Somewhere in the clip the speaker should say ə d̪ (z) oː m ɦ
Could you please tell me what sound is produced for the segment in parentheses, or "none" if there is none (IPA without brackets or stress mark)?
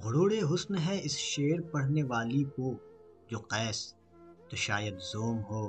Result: z